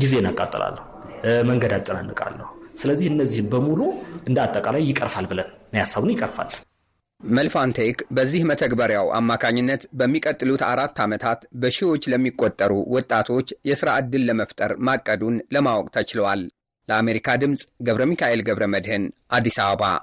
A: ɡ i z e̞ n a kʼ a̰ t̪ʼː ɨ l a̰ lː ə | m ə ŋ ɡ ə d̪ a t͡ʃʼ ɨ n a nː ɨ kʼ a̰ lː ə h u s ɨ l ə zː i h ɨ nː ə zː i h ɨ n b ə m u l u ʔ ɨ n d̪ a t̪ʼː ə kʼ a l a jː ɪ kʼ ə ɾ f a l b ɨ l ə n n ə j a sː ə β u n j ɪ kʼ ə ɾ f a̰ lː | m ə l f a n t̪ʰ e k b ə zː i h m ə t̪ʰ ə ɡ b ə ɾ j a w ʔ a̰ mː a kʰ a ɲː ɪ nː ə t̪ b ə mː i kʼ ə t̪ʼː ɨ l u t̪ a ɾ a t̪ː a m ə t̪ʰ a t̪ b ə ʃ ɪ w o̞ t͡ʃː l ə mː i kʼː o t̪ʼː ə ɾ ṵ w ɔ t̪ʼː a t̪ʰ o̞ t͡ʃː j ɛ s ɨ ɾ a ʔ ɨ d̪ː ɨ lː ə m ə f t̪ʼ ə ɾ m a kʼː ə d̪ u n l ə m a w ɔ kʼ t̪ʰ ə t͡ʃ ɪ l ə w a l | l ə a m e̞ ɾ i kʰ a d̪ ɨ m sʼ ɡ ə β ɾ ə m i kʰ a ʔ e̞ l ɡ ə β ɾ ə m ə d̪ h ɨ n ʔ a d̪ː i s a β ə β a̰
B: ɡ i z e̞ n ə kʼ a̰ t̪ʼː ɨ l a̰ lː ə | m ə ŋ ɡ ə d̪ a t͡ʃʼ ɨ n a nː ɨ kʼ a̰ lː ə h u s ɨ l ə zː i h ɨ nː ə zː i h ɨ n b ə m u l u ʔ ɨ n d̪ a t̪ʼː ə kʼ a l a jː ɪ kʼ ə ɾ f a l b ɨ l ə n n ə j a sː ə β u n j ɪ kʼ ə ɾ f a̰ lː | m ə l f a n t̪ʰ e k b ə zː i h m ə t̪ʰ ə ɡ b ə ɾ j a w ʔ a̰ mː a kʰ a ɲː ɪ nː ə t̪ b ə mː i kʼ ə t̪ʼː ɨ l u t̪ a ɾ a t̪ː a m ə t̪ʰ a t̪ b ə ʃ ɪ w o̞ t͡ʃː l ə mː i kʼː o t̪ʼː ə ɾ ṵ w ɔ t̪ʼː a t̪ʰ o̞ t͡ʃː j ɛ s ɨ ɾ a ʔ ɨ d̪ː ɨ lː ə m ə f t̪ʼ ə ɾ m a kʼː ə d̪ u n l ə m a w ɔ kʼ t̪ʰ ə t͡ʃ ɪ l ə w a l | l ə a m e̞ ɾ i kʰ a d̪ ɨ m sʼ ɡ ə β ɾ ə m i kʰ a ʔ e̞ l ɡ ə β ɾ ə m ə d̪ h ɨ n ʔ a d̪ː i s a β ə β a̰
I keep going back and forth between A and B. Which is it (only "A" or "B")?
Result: A